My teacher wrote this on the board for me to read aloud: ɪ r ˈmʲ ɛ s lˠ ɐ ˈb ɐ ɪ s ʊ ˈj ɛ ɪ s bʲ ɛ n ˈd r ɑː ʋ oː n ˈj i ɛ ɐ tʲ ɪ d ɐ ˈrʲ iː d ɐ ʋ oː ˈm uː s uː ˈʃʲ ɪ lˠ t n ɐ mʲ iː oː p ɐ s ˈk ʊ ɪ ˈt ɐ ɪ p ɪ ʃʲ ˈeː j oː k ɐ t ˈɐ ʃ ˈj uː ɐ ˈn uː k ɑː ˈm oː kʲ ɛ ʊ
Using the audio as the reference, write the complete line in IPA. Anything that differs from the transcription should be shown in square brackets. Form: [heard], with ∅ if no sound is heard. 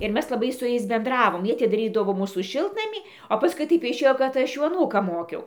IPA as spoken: ɪ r ˈmʲ ɛ s lˠ ɐ ˈb ɐ ɪ s ʊ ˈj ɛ ɪ s bʲ ɛ n ˈd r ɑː ʋ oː [m] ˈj i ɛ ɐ tʲ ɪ d ɐ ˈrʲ iː d ɐ ʋ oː ˈm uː s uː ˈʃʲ ɪ lˠ t n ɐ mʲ iː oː p ɐ s ˈk ʊ ɪ ˈt ɐ ɪ p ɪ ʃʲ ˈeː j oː k ɐ t ˈɐ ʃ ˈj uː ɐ ˈn uː k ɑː ˈm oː kʲ ɛ ʊ